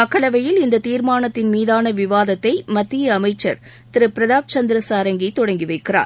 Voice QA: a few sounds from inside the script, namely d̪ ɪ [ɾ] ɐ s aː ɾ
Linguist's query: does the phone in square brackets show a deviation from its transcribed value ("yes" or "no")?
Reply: no